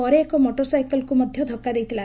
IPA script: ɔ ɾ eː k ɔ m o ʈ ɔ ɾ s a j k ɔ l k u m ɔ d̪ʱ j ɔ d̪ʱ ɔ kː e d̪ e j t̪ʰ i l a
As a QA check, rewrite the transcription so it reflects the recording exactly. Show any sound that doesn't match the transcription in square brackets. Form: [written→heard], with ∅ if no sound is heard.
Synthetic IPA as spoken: ɔ ɾ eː k ɔ m o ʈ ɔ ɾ s a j k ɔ l k u m ɔ d̪ʱ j ɔ d̪ʱ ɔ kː [e→a] d̪ e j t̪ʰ i l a